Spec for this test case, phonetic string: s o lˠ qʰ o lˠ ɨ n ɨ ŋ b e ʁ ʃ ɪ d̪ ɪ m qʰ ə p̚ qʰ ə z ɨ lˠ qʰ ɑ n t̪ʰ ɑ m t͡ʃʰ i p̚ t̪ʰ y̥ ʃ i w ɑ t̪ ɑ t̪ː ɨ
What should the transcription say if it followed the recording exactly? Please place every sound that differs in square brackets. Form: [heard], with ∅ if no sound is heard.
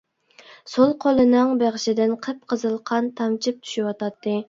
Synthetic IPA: s o lˠ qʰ o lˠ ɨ n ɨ ŋ b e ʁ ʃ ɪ d̪ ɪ [n] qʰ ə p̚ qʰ ə z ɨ lˠ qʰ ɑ n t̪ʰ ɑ m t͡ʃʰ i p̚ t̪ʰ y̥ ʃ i w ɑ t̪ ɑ t̪ː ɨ